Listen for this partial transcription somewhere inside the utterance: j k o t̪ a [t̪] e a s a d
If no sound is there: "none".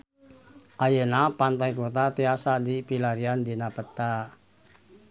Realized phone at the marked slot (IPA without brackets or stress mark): t̪